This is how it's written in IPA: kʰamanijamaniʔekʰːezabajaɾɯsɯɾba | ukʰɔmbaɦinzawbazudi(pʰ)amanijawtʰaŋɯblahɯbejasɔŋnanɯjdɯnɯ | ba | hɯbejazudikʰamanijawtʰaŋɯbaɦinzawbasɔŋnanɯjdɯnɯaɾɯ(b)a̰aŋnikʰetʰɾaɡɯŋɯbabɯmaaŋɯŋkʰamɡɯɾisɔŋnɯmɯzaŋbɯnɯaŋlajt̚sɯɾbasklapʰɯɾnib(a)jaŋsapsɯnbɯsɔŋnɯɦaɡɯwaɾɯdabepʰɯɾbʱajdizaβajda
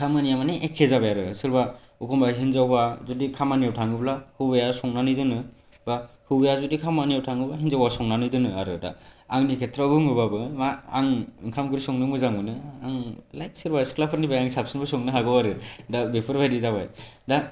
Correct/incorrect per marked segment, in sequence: incorrect, incorrect, correct

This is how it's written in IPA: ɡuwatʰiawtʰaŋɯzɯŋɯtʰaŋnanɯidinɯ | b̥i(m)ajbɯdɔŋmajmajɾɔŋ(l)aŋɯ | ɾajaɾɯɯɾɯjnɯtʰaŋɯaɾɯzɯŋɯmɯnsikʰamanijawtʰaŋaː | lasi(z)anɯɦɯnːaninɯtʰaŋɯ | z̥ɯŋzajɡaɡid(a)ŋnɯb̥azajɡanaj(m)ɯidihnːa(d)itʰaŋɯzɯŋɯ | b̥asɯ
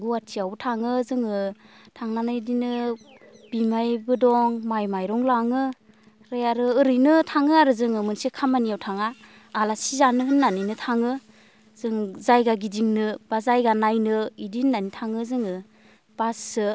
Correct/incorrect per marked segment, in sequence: correct, correct, correct, incorrect, incorrect, incorrect

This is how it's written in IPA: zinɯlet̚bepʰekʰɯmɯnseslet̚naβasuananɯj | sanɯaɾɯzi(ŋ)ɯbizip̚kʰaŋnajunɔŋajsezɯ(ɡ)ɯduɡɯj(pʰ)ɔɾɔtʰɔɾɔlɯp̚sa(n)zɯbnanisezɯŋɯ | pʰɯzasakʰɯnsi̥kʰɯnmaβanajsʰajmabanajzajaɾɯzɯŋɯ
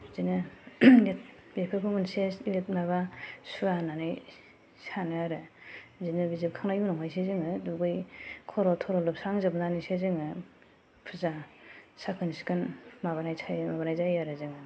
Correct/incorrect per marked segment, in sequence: incorrect, incorrect, incorrect, incorrect

